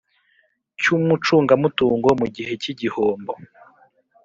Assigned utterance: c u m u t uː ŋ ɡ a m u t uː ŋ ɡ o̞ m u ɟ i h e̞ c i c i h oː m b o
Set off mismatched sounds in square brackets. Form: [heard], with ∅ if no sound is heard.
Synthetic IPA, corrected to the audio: c u m u [t͡ʃ] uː ŋ ɡ a m u t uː ŋ ɡ o̞ m u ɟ i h e̞ c i [ɟ] i h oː m b o